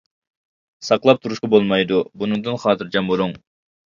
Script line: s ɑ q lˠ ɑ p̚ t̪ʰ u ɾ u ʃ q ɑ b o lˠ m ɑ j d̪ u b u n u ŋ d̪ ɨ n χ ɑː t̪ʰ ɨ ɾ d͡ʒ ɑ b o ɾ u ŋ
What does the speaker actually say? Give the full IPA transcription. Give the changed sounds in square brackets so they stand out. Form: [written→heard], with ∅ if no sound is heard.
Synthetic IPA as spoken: s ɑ q lˠ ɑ p̚ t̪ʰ u ɾ u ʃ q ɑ b o lˠ m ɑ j d̪ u b u n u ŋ d̪ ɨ n χ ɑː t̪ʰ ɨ ɾ d͡ʒ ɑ [b→m] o ɾ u ŋ